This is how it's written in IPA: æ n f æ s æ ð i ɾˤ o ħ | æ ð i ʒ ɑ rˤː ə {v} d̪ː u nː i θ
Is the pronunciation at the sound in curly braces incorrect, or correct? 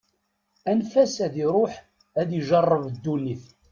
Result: correct